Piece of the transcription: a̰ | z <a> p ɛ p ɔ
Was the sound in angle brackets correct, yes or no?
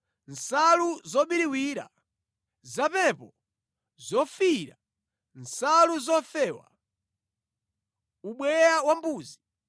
yes